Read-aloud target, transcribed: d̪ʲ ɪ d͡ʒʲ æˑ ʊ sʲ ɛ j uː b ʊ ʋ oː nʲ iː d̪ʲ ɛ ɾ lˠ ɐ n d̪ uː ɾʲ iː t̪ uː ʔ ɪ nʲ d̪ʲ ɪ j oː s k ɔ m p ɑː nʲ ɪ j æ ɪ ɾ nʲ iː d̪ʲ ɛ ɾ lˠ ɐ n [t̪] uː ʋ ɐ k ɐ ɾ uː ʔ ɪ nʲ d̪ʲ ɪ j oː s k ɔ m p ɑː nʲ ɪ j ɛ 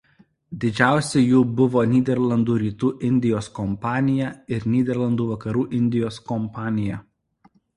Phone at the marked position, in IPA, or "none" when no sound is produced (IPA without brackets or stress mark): d̪